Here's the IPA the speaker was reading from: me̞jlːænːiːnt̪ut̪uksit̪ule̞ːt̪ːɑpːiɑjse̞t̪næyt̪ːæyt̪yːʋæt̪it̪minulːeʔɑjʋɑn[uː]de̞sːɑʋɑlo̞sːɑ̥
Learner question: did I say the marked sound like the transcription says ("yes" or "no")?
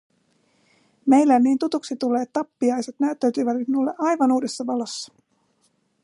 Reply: yes